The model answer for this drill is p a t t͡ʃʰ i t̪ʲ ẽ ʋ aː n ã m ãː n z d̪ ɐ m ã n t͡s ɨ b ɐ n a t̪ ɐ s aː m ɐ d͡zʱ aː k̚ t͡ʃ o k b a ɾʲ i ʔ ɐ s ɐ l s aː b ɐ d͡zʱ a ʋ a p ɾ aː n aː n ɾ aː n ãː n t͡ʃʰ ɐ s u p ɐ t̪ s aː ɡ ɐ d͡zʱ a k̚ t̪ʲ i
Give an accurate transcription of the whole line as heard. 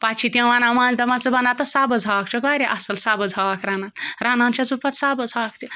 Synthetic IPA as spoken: p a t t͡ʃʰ i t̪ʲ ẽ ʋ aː n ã m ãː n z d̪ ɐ m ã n t͡s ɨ b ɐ n a t̪ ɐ s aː b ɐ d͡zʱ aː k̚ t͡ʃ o k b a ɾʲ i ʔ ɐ s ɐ l s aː b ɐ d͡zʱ a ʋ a k ɾ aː n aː n ɾ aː n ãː n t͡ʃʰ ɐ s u p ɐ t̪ s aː b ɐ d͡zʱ a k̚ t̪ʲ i